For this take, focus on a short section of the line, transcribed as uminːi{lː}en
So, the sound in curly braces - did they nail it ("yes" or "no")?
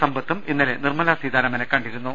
no